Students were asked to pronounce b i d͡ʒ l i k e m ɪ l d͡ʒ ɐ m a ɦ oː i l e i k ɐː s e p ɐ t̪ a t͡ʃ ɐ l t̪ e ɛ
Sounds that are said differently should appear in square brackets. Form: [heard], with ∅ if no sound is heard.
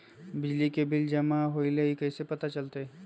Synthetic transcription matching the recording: b [ɪ] d͡ʒ l i k e [b] ɪ l d͡ʒ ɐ m a ɦ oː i l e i k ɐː s e p ɐ t̪ a t͡ʃ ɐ l t̪ e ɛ